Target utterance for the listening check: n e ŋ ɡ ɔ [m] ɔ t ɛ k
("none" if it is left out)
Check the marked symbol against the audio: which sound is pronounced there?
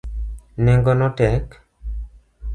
n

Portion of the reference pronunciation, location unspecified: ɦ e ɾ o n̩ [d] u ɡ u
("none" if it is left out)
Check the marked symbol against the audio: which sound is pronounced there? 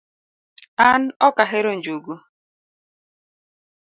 d͡ʒ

